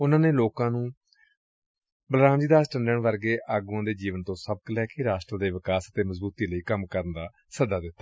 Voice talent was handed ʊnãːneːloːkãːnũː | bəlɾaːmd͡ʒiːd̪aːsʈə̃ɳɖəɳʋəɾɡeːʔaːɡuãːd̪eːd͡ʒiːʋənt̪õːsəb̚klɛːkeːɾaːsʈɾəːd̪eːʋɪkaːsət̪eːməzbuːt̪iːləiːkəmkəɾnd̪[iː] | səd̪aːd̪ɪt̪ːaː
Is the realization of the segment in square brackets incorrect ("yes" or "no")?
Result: yes